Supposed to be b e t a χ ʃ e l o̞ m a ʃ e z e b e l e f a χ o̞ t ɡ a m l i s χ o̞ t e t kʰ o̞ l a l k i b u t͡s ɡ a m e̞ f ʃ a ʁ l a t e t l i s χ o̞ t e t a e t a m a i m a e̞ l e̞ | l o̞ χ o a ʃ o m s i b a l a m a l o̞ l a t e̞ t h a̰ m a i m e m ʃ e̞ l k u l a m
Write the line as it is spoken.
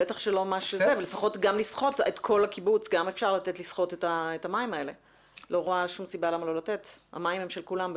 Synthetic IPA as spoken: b e t a χ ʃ e l o̞ m a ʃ e z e v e l e f a χ o̞ t ɡ a m l i s χ o̞ t e t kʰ o̞ l a k i b u t͡s ɡ a m e̞ f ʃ a ʁ l a t e t l i s χ o̞ t e t a e t a m a i m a e̞ l e̞ | l o̞ ʁ o a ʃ u m s i b a l a m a l o̞ l a t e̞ t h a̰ m a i m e m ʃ e̞ l k u l a m